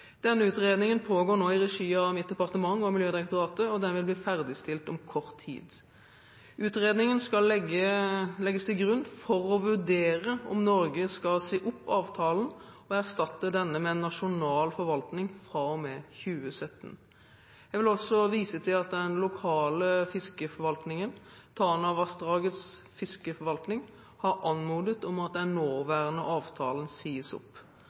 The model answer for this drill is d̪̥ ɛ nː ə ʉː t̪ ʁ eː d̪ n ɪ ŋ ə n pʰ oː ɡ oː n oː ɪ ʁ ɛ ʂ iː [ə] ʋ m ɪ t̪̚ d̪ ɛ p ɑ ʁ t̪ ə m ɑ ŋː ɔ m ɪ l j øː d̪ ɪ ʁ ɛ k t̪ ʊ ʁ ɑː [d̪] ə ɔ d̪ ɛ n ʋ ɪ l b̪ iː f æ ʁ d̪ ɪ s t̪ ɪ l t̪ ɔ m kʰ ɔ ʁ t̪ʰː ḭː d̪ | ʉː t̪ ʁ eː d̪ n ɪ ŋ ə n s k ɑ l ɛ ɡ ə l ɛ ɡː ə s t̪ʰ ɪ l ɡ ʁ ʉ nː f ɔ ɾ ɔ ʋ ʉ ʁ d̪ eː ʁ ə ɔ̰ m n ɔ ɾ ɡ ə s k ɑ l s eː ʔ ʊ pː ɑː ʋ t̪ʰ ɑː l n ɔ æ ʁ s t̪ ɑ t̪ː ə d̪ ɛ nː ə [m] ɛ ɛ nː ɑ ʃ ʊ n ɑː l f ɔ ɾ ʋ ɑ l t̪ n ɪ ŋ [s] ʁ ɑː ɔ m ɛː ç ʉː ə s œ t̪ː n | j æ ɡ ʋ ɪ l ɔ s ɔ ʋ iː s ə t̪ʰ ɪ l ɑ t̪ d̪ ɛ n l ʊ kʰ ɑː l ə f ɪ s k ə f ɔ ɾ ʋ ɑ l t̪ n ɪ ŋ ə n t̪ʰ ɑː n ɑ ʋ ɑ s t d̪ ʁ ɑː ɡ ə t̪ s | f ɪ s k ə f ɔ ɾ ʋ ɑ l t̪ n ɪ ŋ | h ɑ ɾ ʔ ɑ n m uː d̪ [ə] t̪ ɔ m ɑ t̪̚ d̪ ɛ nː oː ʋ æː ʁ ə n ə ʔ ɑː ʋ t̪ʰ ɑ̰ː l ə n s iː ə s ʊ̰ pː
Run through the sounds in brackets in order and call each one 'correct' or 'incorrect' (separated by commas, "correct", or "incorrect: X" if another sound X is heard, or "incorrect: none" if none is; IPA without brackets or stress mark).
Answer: incorrect: ɑ, incorrect: t̪, correct, incorrect: f, correct